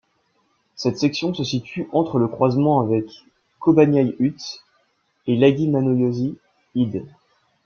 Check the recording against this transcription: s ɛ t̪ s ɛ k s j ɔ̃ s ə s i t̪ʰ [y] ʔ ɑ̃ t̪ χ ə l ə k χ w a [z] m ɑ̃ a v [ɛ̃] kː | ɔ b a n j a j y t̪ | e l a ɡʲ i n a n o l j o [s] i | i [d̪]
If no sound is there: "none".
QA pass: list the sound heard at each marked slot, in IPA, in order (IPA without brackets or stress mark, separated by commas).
y, z, ɛ, z, d̪